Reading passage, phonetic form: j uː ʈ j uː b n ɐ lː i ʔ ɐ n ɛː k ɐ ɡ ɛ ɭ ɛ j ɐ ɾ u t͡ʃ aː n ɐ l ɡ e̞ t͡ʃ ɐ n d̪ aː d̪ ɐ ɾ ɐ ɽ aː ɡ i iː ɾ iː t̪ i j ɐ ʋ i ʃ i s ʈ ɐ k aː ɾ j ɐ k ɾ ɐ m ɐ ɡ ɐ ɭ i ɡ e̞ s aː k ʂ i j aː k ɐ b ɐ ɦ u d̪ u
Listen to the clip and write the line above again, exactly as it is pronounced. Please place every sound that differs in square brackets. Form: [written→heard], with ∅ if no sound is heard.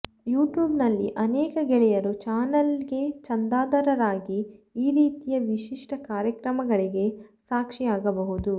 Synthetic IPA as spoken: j uː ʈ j uː b n ɐ lː i ʔ ɐ n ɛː k ɐ ɡ ɛ ɭ ɛ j ɐ ɾ u t͡ʃ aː n ɐ l ɡ e̞ t͡ʃ ɐ n d̪ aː d̪ ɐ ɾ ɐ [ɽ→ɾ] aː ɡ i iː ɾ iː t̪ i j ɐ ʋ i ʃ i [s→ʂ] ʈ ɐ k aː ɾ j ɐ k ɾ ɐ m ɐ ɡ ɐ ɭ i ɡ e̞ s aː k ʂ i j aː [k→ɡ] ɐ b ɐ ɦ u d̪ u